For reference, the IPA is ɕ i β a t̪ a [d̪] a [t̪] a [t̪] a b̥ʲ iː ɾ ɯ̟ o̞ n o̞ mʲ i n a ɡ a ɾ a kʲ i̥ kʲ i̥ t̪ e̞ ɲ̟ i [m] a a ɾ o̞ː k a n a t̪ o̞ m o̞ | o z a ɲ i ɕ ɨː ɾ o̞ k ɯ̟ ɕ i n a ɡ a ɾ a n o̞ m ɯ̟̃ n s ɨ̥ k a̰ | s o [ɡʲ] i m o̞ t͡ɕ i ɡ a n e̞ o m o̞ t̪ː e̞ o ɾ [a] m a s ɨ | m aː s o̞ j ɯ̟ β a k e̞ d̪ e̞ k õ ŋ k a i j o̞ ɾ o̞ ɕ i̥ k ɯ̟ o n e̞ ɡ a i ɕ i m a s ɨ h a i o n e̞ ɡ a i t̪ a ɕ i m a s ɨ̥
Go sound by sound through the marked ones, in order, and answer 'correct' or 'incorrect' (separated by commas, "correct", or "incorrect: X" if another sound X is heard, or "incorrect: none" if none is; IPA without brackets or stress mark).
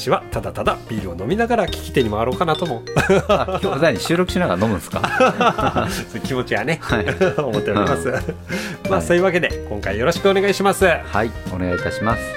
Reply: correct, correct, incorrect: d̪, correct, incorrect: kʲ, incorrect: i